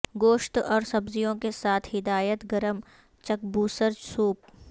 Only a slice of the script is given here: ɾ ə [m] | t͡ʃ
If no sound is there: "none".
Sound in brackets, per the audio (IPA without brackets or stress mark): m